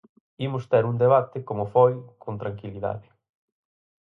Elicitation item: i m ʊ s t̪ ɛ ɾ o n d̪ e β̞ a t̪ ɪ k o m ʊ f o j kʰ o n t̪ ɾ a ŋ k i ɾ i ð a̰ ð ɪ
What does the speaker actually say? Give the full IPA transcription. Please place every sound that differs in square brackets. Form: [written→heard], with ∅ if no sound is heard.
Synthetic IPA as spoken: i m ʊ s t̪ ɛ ɾ [o→u] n d̪ e β̞ a t̪ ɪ k o m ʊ f o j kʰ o n t̪ ɾ a ŋ k i [ɾ→l] i ð a̰ ð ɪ